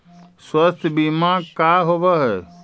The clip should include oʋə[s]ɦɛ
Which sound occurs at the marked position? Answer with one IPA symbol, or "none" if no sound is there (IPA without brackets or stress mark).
none